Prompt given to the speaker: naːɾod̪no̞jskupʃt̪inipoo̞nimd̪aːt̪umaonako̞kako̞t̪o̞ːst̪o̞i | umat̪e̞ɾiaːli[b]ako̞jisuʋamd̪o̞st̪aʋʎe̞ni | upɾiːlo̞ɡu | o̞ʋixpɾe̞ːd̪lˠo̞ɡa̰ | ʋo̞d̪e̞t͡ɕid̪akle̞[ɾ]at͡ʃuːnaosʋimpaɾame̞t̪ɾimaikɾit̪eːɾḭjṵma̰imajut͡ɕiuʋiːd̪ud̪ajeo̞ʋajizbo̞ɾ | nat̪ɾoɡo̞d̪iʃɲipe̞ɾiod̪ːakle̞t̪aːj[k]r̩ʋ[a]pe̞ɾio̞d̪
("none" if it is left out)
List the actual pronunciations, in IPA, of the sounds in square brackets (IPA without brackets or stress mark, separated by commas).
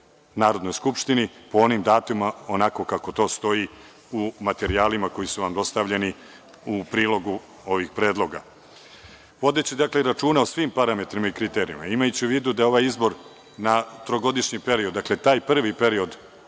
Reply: m, ɾ, p, i